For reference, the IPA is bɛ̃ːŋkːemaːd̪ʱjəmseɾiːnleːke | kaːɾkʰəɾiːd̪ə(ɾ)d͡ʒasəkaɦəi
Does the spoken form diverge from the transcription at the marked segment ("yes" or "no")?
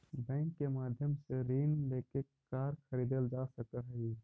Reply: yes